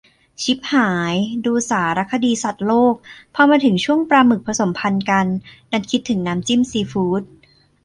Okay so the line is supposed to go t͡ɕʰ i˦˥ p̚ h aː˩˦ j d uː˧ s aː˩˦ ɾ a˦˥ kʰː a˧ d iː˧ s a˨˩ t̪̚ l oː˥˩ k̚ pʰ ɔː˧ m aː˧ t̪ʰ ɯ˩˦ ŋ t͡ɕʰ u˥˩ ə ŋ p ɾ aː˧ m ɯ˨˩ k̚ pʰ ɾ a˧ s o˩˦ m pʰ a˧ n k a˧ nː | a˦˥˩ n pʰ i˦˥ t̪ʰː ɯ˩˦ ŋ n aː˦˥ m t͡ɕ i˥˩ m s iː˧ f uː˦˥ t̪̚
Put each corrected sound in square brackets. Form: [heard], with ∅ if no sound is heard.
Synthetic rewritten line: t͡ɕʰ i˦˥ p̚ h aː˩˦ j d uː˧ s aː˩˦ ɾ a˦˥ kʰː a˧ d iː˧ s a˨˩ t̪̚ l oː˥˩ k̚ pʰ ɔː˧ m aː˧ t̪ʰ ɯ˩˦ ŋ t͡ɕʰ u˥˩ ə ŋ p ɾ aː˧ m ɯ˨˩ k̚ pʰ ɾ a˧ s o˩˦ m pʰ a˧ n k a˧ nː | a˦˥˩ n [kʰ] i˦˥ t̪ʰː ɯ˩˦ ŋ n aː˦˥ m t͡ɕ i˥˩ m s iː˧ f uː˦˥ t̪̚